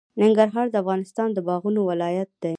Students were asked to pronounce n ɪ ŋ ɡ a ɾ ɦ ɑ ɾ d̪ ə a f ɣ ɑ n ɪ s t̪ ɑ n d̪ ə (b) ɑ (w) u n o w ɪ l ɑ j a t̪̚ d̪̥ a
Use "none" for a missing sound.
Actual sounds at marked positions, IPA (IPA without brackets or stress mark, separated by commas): b, ɣ